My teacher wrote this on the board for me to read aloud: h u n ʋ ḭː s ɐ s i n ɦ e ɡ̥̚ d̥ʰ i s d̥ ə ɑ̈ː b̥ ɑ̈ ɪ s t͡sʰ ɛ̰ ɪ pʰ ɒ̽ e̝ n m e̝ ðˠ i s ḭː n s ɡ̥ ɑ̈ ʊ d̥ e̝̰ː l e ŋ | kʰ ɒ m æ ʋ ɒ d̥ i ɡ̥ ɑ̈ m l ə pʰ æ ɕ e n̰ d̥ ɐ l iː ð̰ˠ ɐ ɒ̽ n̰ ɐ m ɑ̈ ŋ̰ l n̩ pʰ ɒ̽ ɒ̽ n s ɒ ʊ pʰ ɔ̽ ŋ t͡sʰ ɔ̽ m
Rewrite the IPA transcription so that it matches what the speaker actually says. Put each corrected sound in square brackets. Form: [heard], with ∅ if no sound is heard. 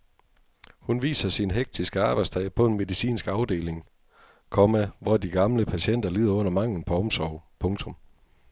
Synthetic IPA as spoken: h u n ʋ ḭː s ɐ s i n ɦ e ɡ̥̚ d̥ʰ i s [ɡ̥] ə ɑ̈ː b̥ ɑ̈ ɪ s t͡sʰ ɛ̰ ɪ pʰ ɒ̽ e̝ n m e̝ ðˠ i s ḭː n s ɡ̥ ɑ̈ ʊ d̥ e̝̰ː l e ŋ | kʰ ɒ m æ ʋ ɒ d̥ i ɡ̥ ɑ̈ m l ə pʰ æ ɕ e n̰ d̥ ɐ l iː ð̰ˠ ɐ [ɔ̽] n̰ ɐ m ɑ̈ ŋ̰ l n̩ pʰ ɒ̽ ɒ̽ [m] s ɒ ʊ pʰ ɔ̽ ŋ t͡sʰ ɔ̽ m